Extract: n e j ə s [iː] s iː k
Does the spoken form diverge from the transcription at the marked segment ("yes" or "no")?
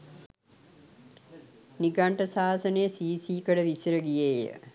no